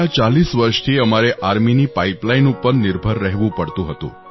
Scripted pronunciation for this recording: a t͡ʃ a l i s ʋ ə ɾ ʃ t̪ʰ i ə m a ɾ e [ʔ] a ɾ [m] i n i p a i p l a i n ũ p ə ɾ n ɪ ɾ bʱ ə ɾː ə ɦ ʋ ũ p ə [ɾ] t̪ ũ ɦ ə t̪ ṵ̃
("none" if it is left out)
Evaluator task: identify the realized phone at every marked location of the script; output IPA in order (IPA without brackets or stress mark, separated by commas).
ʔ, m, ɽ